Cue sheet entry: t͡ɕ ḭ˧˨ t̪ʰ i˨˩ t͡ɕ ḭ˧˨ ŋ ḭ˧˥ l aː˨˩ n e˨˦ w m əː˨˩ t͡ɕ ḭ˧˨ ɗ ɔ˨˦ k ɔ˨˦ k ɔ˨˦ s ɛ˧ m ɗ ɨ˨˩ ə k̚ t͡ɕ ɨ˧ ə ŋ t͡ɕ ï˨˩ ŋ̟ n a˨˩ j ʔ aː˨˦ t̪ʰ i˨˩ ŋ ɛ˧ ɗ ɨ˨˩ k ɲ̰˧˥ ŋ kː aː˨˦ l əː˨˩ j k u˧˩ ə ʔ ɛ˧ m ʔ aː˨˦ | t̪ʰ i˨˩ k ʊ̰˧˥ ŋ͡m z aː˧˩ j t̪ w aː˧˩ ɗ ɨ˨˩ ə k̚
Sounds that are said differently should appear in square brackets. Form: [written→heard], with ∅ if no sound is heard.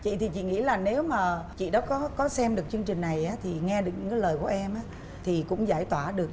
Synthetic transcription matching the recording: t͡ɕ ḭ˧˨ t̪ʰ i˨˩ t͡ɕ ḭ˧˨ ŋ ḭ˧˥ l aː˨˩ n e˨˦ w m [əː˨˩→aː˨˩] t͡ɕ ḭ˧˨ ɗ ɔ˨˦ k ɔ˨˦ k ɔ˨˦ s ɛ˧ m ɗ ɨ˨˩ ə k̚ t͡ɕ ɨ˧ ə ŋ t͡ɕ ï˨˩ ŋ̟ n a˨˩ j ʔ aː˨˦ t̪ʰ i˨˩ ŋ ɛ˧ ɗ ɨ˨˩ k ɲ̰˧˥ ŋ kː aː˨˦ l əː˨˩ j k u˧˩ ə ʔ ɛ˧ m ʔ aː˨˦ | t̪ʰ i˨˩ k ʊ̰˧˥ ŋ͡m z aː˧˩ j t̪ w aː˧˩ ɗ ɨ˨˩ ə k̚